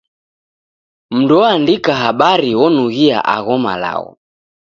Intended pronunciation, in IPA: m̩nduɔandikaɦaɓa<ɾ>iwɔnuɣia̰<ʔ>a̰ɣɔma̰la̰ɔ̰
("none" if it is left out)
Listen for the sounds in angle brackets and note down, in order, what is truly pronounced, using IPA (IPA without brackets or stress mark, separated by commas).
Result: ɾ, ʔ